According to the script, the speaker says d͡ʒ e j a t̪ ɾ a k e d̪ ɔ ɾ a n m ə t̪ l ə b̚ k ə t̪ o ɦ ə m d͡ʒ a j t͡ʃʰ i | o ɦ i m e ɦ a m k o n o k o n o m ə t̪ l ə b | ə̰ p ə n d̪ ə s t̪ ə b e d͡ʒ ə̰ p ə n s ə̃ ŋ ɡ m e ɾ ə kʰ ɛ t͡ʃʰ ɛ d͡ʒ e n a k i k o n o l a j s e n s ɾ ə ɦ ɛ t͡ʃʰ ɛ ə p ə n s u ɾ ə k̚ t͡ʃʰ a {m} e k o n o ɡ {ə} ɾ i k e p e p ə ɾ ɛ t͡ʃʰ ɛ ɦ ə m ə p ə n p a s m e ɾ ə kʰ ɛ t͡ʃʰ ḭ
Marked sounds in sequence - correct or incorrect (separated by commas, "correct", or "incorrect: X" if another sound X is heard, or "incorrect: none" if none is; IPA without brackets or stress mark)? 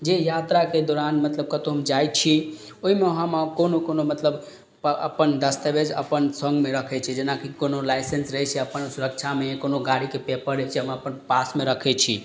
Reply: correct, incorrect: a